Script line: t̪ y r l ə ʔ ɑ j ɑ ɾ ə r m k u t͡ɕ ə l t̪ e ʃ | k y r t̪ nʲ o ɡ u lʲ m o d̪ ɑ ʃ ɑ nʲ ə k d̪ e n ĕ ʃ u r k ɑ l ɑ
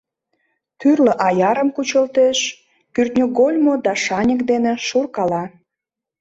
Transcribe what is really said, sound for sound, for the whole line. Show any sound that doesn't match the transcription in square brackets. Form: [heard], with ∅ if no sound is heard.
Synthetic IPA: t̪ y r l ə ʔ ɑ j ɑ ɾ ə [∅] m k u t͡ɕ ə l t̪ e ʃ | k y r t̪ nʲ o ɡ [o] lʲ m o d̪ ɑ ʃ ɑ nʲ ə k d̪ e n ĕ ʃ u r k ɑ l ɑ